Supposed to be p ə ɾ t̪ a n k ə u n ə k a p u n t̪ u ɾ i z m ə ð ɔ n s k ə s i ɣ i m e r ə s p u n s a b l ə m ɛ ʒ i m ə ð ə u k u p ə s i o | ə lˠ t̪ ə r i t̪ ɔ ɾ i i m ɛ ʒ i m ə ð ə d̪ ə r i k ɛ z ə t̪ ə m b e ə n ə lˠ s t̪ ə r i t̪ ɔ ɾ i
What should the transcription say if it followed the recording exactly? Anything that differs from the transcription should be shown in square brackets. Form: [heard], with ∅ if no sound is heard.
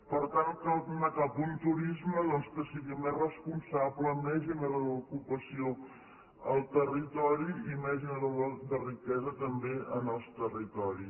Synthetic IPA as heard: p ə ɾ t̪ a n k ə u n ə k a p u n t̪ u ɾ i z m ə ð ɔ n s k ə s i ɣ i m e r ə s p u n s a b l ə m ɛ ʒ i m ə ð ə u k u p ə s i o | ə lˠ t̪ ə r i t̪ ɔ ɾ i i m ɛ ʒ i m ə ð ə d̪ ə r i k ɛ z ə t̪ ə m b e ə n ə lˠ s t̪ ə r i t̪ ɔ ɾ i